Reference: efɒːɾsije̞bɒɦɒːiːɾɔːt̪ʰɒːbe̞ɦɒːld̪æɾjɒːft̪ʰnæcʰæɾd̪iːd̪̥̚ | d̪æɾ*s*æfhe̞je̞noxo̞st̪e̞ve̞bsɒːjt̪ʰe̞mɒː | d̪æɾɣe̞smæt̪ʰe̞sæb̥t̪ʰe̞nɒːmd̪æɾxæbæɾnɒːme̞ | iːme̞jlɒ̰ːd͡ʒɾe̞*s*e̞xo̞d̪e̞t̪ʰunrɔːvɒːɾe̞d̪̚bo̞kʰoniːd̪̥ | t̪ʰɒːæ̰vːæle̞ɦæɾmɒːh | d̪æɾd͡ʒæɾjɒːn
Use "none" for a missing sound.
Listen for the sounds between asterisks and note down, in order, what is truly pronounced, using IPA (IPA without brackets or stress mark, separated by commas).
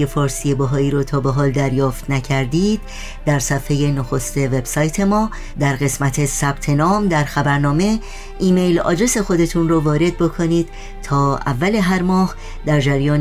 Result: s, s